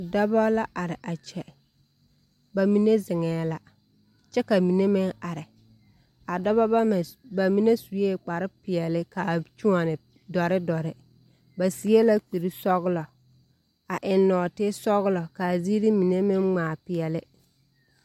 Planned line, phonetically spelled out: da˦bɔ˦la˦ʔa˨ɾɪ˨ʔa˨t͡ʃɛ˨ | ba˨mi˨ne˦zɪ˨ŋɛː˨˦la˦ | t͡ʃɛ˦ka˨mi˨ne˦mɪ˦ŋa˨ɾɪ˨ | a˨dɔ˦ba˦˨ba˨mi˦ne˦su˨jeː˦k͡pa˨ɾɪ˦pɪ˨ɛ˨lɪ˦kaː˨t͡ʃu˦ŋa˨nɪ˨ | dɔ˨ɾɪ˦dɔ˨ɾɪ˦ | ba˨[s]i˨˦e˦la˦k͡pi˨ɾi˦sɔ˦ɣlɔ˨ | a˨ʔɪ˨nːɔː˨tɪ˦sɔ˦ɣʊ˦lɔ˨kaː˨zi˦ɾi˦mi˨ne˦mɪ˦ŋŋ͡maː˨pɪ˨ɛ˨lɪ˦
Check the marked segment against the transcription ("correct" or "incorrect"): correct